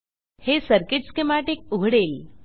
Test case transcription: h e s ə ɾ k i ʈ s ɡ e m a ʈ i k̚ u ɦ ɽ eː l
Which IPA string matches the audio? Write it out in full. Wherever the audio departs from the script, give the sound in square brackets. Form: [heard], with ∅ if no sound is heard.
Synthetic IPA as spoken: h e s ə ɾ k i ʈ s [k] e m a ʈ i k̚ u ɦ ɽ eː l